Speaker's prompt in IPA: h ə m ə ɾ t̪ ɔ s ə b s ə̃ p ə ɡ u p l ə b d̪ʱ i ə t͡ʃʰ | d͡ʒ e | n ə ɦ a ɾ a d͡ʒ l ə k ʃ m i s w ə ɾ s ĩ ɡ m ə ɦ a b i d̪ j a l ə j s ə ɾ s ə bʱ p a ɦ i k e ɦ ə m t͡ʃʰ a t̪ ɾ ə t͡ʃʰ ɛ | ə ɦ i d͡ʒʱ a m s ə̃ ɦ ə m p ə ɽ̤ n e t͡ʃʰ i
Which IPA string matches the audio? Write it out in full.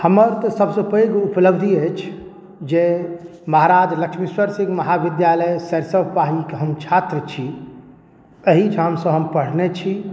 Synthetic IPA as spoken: h ə m ə ɾ t̪ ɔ s ə b s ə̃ p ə ɡ u p l ə b d̪ʱ i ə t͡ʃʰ | d͡ʒ e | m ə ɦ a ɾ a d͡ʒ l ə k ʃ m i s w ə ɾ s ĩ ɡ m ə ɦ a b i d̪ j a l ə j s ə ɾ s ə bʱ p a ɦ i k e ɦ ə m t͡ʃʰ a t̪ ɾ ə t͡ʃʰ i | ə ɦ i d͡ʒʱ a m s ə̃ ɦ ə m p ə ɽ̤ n e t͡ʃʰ i